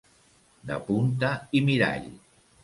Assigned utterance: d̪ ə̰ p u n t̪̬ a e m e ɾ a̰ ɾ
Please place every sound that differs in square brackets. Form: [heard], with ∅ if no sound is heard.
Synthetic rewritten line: d̪ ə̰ p u n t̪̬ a [i] m [i] ɾ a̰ [ʎ]